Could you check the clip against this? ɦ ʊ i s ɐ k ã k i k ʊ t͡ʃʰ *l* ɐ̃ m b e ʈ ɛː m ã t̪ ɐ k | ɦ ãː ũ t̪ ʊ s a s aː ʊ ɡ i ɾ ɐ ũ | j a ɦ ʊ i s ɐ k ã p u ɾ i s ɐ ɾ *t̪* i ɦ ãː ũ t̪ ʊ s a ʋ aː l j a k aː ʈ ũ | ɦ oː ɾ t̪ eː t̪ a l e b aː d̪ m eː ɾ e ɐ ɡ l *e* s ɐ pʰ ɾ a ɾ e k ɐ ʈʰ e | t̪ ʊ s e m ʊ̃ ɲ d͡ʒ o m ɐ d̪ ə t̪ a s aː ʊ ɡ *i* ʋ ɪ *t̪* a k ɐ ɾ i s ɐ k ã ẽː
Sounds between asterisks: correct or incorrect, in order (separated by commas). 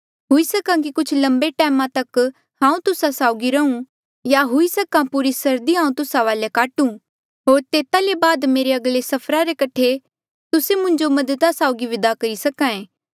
correct, incorrect, correct, correct, incorrect